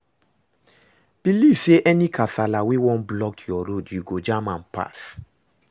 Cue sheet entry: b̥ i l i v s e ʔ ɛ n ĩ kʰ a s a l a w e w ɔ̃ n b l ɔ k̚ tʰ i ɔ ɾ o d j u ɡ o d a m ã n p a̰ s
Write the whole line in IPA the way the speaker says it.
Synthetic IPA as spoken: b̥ i l i v s e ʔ ɛ n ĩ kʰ a s a l a w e w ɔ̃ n b l ɔ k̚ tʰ j ɔ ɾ o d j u ɡ o d͡ʒ a m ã n p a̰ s